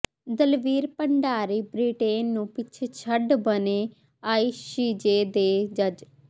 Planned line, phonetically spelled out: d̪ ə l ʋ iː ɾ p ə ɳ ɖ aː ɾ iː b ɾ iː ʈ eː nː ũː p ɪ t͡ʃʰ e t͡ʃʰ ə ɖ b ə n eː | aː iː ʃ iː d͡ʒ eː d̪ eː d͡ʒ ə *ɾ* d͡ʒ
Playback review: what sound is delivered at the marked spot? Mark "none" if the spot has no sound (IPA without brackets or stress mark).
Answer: none